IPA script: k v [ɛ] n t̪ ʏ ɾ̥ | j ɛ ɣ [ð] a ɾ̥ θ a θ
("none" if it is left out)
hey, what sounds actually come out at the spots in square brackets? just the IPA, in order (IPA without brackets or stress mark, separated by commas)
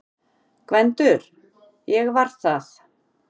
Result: ɛ, v